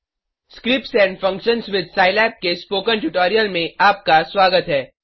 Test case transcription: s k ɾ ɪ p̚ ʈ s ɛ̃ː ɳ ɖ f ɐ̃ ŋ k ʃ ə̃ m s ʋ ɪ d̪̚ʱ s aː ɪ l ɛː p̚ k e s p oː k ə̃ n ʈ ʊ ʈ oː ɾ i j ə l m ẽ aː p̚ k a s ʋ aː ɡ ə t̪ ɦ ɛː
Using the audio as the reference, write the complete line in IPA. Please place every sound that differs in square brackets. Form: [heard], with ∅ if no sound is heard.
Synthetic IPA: s k ɾ ɪ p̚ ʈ s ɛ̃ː ɳ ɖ f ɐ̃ ŋ k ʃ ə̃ [n] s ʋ ɪ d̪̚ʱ s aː ɪ l ɛː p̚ k e s p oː k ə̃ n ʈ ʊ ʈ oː ɾ i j ə l m ẽ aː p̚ k a s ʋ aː ɡ ə t̪ ɦ ɛː